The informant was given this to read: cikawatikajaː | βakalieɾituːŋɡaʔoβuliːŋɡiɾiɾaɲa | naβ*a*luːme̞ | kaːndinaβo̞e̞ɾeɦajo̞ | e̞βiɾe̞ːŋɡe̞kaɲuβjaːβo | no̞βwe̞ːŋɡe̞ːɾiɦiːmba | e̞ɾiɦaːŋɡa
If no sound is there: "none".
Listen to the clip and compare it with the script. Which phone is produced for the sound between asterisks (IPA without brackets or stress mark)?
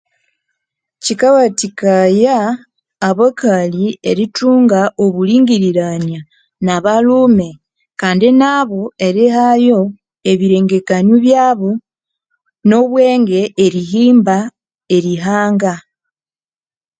a